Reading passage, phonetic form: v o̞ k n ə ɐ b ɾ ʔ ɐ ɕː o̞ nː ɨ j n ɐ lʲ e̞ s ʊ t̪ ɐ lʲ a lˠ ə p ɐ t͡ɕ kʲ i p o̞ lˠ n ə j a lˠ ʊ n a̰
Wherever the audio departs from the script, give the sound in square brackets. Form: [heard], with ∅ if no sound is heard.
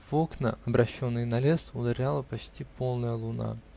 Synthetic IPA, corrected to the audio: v o̞ k n ə ɐ b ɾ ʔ ɐ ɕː o̞ nː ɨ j n ɐ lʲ e̞ s ʊ [d̪] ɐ [ɾʲ] a lˠ ə p ɐ t͡ɕ [tʲ] i p o̞ lˠ n ə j [ə] lˠ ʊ n a̰